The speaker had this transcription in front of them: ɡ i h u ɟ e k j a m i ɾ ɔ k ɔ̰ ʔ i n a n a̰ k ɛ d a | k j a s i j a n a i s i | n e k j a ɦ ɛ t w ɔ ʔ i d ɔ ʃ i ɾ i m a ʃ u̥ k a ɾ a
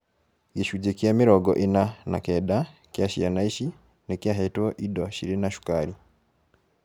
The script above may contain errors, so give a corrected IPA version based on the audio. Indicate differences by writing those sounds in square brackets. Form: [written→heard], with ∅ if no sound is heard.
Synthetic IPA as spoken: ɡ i [h→ʃ] u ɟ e k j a m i ɾ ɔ [k→ɡ] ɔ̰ ʔ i n a n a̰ k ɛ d a | k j a [s→ʃ] i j a n a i [s→ʃ] i | n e k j a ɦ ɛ t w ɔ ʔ i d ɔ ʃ i ɾ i [m→n] a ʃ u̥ k a ɾ [a→i]